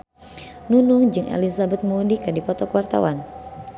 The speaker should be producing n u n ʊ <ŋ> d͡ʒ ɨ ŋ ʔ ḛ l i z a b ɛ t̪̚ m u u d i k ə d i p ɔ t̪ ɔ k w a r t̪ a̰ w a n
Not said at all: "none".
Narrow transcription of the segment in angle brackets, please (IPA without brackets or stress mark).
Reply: ŋ